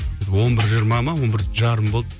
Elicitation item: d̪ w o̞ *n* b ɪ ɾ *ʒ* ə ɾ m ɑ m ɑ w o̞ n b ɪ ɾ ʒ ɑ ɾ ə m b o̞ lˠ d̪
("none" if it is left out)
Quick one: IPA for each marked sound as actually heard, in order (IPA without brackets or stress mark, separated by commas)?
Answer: n, ʒ